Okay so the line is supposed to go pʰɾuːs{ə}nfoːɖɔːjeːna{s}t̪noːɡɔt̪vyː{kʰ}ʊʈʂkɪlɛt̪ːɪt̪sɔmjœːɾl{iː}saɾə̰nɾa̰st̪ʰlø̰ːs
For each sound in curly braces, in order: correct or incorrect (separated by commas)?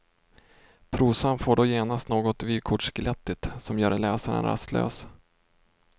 incorrect, correct, correct, incorrect